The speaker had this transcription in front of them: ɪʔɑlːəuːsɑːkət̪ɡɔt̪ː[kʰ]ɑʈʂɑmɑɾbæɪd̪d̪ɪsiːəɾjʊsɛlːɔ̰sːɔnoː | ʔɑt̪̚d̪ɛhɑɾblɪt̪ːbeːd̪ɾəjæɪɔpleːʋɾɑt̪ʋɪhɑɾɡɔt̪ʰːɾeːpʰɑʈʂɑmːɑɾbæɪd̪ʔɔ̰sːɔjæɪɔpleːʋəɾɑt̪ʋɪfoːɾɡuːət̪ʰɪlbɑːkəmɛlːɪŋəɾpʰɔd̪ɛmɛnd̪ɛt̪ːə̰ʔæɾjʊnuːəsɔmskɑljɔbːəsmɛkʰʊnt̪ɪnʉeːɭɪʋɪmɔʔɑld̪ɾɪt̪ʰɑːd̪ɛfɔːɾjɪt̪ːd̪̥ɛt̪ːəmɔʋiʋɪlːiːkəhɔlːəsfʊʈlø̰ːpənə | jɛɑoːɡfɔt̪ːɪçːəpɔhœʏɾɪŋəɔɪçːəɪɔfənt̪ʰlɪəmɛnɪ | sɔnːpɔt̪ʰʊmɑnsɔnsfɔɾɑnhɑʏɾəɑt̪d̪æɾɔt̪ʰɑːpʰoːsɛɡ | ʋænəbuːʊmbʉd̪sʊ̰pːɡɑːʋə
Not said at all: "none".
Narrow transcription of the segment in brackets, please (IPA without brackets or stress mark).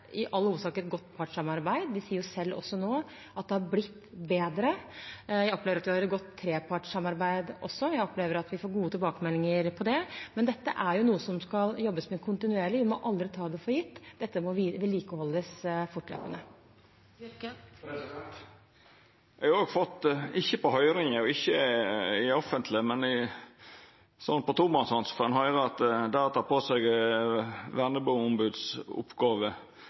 pʰ